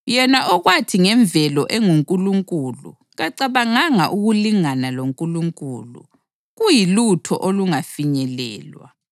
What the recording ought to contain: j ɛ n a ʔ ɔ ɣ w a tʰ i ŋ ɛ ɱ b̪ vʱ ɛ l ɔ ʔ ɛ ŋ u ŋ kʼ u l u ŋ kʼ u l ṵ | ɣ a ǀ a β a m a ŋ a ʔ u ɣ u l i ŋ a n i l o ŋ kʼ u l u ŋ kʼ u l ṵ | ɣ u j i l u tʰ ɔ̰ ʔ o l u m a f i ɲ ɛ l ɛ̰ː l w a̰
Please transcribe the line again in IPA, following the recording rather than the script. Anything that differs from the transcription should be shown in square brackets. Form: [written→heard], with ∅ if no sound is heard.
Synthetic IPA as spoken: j ɛ n a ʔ ɔ ɣ w a tʰ i ŋ ɛ ɱ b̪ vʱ ɛ l ɔ ʔ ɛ ŋ u ŋ kʼ u l u ŋ kʼ u l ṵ | ɣ a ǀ a β a [m→ŋ] a ŋ a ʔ u ɣ u l i ŋ a n [i→a] l o ŋ kʼ u l u ŋ kʼ u l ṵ | ɣ u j i l u tʰ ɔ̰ ʔ o l u [m→ŋ] a f i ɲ ɛ l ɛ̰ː l w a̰

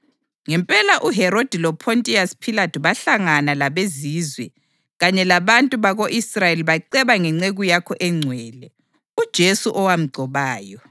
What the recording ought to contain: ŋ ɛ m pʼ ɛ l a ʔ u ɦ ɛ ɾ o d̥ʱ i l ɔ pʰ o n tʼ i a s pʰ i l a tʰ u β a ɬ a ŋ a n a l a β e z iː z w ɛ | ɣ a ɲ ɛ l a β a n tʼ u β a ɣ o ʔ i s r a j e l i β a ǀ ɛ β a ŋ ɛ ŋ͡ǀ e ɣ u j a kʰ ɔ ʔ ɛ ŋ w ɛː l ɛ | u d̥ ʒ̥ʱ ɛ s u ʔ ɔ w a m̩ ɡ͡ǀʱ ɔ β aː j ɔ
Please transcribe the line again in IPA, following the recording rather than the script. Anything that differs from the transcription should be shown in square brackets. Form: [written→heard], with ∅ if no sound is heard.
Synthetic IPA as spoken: ŋ ɛ m pʼ ɛ l a ʔ u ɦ ɛ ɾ o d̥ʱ i l ɔ pʰ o n tʼ i a s pʰ i l a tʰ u β a ɬ a ŋ a n a l a β e z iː z w ɛ | ɣ a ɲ ɛ l a β a n tʼ u β a ɣ o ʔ i s r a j e l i β a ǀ ɛ β a ŋ ɛ ŋ͡ǀ e ɣ u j a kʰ ɔ ʔ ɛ [ŋ→ŋ͡ǀʱ] w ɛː l ɛ | u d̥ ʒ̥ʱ [ɛ→e] s u ʔ ɔ w a m̩ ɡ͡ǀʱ ɔ β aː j ɔ

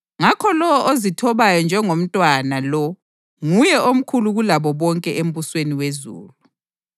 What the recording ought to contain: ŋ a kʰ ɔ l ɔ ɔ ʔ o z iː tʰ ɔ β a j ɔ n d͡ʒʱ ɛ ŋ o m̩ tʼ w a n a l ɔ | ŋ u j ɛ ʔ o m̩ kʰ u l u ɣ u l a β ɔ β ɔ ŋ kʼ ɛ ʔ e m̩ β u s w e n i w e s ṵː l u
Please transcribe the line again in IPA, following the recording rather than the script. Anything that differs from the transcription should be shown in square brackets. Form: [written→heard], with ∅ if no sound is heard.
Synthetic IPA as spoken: ŋ a kʰ ɔ l ɔ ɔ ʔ o z [iː→i] tʰ ɔ β a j ɔ n d͡ʒʱ ɛ ŋ o m̩ tʼ w a n a l ɔ | ŋ u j ɛ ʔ o m̩ kʰ u l u ɣ u l a β ɔ β ɔ ŋ kʼ ɛ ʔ e m̩ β u s w e n i w e [s→z] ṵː l u

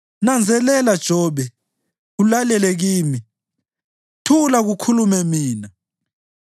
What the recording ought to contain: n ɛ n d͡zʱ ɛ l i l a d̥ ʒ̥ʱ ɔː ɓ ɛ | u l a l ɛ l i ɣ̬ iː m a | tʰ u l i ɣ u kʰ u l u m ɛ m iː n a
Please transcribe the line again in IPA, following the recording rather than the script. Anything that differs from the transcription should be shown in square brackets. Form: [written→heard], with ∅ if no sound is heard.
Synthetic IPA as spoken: n [ɛ→a] n d͡zʱ ɛ l [i→ɛ] l a d̥ ʒ̥ʱ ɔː ɓ ɛ | u l a l ɛ l [i→ɛ] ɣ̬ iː m [a→i] | tʰ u l [i→a] ɣ u kʰ u l u m ɛ m iː n a

